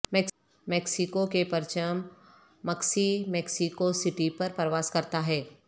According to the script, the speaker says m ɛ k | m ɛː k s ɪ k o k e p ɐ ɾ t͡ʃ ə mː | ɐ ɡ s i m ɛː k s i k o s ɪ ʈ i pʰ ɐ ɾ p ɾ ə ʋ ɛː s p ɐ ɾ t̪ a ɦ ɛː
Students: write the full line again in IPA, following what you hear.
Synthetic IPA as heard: m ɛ k | m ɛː k s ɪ k o k e p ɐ ɾ t͡ʃ ə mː | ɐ k s i m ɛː k s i k o s ɪ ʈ i p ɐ ɾ p ɾ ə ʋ aː s k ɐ ɾ t̪ a ɦ ɛː